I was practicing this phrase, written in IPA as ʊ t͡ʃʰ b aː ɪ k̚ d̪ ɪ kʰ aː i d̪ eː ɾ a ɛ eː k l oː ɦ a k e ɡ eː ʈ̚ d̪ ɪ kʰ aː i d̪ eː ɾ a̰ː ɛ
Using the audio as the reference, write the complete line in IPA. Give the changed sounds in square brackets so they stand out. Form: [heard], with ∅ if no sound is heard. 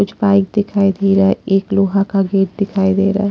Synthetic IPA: ʊ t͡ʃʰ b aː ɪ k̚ d̪ ɪ kʰ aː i d̪ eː ɾ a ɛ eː k l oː ɦ a k [a] ɡ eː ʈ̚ d̪ ɪ kʰ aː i d̪ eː ɾ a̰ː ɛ